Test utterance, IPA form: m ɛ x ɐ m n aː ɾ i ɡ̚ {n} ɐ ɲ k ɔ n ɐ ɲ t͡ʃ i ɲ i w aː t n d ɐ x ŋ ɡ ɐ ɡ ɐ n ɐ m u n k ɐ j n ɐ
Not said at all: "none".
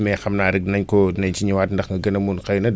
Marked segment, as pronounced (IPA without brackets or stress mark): n